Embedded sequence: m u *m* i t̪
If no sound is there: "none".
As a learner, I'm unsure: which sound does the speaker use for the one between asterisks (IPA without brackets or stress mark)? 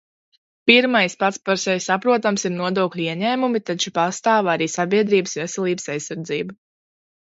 m